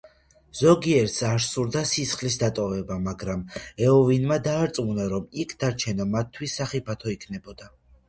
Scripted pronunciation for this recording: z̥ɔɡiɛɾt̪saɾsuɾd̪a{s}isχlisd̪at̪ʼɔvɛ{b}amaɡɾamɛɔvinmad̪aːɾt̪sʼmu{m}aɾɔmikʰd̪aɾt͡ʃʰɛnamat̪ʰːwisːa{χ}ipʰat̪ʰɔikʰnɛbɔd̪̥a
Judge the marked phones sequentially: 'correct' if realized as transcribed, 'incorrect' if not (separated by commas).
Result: correct, correct, incorrect, correct